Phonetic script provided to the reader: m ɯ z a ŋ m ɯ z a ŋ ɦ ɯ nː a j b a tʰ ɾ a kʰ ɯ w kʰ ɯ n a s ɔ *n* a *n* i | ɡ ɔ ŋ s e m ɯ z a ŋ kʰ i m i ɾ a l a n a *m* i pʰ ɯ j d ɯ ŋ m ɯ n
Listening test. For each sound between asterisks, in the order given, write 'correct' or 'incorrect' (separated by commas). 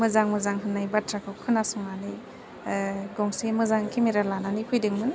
incorrect, correct, incorrect